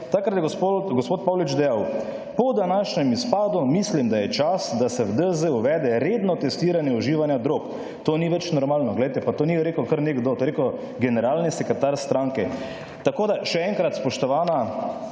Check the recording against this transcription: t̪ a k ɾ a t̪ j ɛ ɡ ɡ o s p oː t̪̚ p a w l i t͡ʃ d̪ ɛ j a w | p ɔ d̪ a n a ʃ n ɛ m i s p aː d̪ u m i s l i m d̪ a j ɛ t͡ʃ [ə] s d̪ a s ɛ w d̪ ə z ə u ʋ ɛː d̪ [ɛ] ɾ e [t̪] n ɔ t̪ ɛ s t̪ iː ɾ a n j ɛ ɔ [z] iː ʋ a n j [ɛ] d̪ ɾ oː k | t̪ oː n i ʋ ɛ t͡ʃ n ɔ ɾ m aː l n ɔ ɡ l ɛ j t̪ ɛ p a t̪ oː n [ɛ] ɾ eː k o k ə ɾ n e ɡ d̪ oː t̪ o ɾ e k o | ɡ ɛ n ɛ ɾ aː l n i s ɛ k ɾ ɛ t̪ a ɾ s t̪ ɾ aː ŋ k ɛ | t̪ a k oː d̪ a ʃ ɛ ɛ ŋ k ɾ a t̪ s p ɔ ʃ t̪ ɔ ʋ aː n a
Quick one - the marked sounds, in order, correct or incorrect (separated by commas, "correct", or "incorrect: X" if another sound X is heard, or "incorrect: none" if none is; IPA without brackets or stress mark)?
incorrect: a, correct, incorrect: d̪, incorrect: ʒ, incorrect: a, incorrect: i